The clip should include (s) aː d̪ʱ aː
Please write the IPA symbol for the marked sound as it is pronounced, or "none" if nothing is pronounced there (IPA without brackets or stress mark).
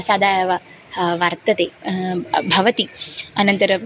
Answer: s